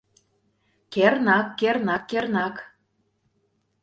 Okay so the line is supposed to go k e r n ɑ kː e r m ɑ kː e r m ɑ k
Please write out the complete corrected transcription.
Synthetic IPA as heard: k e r n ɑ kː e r n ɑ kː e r n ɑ k